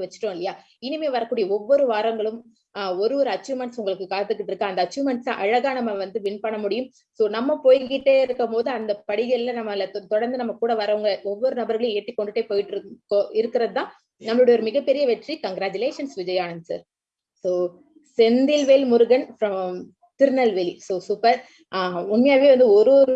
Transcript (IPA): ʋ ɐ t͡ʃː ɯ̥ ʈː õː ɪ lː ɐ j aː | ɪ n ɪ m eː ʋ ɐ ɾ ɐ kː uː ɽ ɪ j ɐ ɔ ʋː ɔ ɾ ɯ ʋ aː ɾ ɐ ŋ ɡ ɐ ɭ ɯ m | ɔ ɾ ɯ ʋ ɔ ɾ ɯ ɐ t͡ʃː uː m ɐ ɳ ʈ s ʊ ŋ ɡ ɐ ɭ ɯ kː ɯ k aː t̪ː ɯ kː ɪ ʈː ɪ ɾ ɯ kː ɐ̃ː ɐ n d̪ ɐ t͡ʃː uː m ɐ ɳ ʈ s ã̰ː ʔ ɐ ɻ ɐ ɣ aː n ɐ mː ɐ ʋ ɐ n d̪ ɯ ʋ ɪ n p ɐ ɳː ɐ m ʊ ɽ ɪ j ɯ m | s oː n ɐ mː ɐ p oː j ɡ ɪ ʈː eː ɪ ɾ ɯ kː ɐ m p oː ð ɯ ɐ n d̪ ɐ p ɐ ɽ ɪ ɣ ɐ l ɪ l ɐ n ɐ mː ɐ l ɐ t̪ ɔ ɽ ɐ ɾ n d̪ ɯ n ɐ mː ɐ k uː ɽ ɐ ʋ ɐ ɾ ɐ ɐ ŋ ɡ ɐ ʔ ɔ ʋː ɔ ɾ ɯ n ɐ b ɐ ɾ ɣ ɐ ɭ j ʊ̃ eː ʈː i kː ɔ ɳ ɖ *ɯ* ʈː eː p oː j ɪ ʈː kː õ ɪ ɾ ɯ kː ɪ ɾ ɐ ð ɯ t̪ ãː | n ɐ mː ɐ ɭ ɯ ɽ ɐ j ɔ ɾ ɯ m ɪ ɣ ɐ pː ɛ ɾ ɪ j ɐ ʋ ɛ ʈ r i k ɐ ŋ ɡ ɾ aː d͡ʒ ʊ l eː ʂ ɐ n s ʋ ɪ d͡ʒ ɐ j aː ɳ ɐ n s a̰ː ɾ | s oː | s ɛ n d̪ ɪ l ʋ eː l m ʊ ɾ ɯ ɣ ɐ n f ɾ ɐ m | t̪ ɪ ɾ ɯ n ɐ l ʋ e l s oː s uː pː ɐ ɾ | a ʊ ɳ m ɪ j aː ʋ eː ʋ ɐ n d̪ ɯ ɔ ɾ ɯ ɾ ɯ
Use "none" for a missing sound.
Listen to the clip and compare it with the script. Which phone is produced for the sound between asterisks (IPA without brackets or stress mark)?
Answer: ɯ